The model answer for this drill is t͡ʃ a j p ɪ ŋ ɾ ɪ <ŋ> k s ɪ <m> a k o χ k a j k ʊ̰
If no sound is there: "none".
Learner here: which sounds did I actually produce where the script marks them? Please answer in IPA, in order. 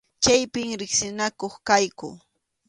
none, n

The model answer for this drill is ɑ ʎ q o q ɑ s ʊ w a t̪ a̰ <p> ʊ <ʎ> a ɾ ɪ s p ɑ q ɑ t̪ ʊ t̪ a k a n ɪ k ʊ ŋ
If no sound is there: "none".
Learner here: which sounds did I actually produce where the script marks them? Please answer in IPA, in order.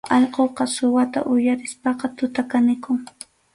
ʔ, j

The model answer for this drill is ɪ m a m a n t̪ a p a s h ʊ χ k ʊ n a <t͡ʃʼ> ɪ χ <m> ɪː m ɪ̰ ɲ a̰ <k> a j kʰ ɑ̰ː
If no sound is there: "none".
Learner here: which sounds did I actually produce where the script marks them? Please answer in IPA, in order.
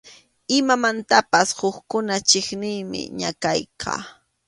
t͡ʃ, n, k

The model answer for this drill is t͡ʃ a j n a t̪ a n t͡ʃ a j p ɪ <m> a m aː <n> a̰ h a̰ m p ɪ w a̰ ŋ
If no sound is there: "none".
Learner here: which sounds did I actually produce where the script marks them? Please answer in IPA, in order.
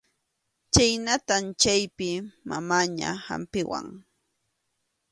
m, ɲ

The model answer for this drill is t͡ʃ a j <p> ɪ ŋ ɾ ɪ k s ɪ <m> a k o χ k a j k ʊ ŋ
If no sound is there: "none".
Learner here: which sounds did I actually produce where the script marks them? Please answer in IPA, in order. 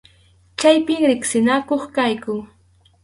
p, n

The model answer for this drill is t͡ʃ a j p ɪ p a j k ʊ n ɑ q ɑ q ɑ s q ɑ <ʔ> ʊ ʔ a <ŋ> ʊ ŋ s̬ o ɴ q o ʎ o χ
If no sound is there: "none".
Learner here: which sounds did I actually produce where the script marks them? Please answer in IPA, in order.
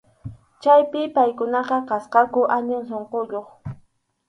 k, ɲ

